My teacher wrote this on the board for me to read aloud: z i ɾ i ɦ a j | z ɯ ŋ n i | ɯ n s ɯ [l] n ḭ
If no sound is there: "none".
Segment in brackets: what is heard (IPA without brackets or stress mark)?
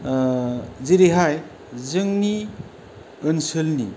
l